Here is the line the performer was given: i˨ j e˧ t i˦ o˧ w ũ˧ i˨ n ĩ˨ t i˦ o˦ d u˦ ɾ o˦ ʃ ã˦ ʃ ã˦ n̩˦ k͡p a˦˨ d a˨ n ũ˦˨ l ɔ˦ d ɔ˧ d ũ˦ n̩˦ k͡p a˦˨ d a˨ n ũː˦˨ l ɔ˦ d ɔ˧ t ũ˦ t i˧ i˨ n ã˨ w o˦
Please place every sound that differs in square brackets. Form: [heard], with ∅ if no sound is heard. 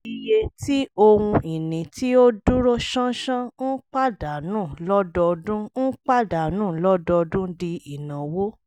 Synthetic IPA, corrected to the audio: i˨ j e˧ t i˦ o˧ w ũ˧ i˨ n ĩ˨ t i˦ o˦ d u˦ ɾ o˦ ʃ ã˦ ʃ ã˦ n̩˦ k͡p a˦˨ d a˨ n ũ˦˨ l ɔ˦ d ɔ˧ d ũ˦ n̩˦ k͡p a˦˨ d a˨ n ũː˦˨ l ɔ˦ d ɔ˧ [d] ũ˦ [d] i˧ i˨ n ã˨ w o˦